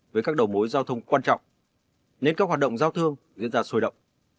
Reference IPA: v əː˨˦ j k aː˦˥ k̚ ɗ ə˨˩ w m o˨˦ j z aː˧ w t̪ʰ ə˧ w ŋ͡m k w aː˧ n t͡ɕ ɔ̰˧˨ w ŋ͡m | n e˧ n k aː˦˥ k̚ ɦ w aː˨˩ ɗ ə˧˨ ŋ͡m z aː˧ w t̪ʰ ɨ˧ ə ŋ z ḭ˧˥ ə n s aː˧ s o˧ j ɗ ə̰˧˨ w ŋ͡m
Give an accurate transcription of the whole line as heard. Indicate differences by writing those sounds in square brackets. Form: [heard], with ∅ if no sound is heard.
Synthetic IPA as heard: v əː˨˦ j k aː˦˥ k̚ ɗ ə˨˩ w m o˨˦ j z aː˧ w t̪ʰ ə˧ w ŋ͡m k w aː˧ n t͡ɕ ɔ̰˧˨ w ŋ͡m | n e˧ n k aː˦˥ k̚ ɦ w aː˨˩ ɗ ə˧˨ ŋ͡m z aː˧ w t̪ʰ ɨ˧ ə ŋ z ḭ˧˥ ə n [z] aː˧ s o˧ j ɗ ə̰˧˨ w ŋ͡m